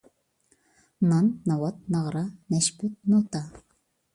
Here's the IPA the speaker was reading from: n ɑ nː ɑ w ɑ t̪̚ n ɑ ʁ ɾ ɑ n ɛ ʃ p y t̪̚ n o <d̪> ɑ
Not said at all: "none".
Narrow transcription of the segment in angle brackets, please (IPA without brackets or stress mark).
t̪